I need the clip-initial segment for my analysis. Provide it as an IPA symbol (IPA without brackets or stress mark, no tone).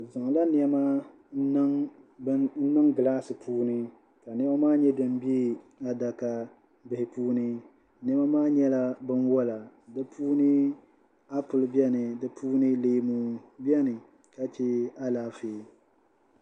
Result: z